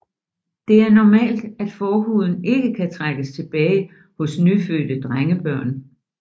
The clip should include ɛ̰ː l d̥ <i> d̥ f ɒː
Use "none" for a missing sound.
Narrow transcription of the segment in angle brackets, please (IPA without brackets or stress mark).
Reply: æ